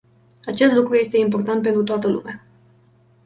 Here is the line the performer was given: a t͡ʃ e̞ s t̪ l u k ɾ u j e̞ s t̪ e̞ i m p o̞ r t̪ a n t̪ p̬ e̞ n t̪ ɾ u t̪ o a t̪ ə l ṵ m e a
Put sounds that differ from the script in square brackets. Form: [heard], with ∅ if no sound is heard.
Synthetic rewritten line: a t͡ʃ e̞ s t̪ l u k ɾ u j e̞ s t̪ e̞ i m p o̞ r t̪ a n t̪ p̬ e̞ n t̪ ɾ u t̪ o a t̪ ə l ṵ m e a